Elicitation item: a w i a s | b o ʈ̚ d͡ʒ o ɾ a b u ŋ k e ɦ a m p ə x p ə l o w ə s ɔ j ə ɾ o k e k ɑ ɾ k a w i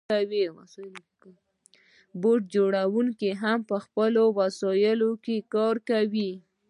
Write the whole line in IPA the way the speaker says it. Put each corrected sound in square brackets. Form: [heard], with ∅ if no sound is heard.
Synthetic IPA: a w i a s | b o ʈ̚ d͡ʒ o [ɽ] a [w] u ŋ k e ɦ a m p ə x p ə l o w [a] s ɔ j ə [l] o k e k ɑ ɾ k a w i

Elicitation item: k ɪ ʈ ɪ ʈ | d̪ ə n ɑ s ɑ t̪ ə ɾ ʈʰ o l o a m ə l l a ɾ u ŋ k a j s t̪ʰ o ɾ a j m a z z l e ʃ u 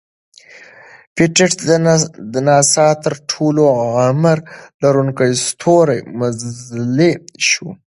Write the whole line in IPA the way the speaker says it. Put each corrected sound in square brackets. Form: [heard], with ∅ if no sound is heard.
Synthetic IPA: [p] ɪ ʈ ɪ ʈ | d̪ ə n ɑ s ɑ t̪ ə ɾ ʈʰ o l o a m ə [ɾ] l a ɾ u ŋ k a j s t̪ʰ o ɾ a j m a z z l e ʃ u

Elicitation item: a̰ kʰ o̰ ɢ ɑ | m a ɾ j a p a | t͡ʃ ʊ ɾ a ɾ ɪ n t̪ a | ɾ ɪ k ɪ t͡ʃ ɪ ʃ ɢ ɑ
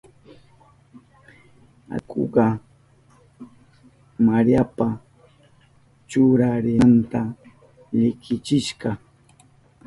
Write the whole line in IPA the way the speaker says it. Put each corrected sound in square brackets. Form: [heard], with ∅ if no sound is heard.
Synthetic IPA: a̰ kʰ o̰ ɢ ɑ | m a ɾ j a p a | t͡ʃ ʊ ɾ a ɾ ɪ n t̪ a | [ʎ] ɪ k ɪ t͡ʃ ɪ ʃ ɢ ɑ

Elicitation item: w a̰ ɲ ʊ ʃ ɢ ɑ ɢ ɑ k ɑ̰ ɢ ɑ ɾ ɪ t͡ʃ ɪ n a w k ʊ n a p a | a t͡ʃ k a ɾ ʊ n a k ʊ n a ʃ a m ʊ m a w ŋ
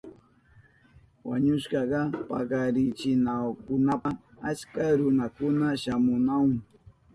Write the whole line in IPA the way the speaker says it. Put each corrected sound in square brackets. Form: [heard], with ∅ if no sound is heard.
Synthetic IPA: w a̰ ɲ ʊ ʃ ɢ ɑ ɢ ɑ [p] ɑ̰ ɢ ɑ ɾ ɪ t͡ʃ ɪ n a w k ʊ n a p a | a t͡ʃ k a ɾ ʊ n a k ʊ n a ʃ a m ʊ [n] a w ŋ

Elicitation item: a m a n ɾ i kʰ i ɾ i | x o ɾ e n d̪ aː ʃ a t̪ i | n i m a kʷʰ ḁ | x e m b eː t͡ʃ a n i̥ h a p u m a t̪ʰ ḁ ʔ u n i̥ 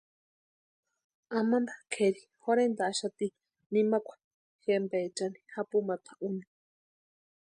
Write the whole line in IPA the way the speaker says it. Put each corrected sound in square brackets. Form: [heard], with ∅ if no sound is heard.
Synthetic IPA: a m a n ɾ [a] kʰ [e] ɾ i | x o ɾ e n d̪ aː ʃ a t̪ i | n i m a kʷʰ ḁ | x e m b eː t͡ʃ a n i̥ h a p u m a t̪ʰ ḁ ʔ u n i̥

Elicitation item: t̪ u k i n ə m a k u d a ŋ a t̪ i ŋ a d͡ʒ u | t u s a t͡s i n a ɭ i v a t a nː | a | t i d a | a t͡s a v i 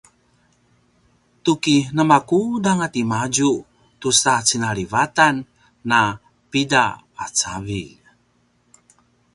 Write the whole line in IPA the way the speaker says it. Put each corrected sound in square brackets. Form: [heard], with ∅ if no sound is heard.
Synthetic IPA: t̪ u k i n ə m a k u d a ŋ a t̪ i [m] a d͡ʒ u | t u s a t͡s i n a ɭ i v a t a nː | a | [p] i d a | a t͡s a v i

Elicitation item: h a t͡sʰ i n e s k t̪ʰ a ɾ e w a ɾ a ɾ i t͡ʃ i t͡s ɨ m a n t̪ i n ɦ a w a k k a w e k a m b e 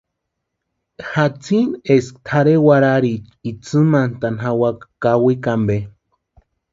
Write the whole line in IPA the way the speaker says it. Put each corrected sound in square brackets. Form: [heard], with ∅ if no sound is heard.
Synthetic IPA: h a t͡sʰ i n e s k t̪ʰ a ɾ e w a ɾ a ɾ i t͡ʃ i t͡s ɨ m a n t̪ [a] n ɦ a w a k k a w [i] k a m b e

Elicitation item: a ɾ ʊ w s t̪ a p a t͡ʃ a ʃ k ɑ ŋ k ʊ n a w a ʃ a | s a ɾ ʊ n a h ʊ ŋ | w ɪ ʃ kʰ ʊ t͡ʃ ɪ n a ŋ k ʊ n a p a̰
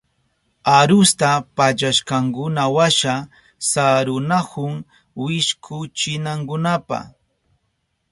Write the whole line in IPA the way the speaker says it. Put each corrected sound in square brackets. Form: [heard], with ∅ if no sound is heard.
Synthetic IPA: a ɾ ʊ [∅] s t̪ a p a t͡ʃ a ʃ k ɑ ŋ k ʊ n a w a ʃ a | s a ɾ ʊ n a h ʊ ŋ | w ɪ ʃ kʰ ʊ t͡ʃ ɪ n a ŋ k ʊ n a p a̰

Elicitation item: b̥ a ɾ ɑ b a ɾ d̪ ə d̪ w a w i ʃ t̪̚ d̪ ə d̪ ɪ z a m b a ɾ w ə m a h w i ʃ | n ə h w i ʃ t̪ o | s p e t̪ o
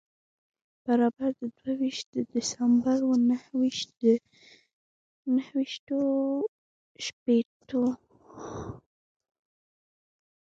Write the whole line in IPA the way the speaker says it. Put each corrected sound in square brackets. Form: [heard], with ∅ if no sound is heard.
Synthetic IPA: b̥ a ɾ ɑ b a ɾ d̪ ə d̪ w a w i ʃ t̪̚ d̪ ə d̪ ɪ [s] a m b a ɾ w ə [n] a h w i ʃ | n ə h w i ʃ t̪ o | [ʃ] p e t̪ o

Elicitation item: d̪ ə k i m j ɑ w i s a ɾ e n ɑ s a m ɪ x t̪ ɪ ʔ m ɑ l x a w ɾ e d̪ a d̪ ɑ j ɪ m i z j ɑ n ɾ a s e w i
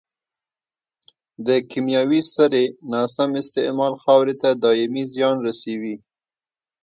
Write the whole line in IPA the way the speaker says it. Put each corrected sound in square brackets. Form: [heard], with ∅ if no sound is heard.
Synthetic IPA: d̪ ə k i m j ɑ w i s a ɾ e n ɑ s a m ɪ [s] t̪ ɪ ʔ m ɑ l x [ɑ] w ɾ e [t̪] a d̪ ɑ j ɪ m i z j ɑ n ɾ a s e w i

